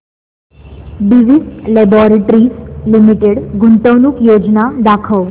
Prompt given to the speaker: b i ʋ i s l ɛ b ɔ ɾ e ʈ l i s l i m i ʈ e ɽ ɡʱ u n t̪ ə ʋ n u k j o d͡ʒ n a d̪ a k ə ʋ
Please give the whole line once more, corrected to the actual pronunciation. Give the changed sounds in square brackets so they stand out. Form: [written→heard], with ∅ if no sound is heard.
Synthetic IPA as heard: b i ʋ i s l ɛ b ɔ ɾ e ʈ [l→ɾ] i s l i m i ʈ e ɽ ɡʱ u n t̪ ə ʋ n u k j o d͡ʒ n a d̪ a [k→kʰ] ə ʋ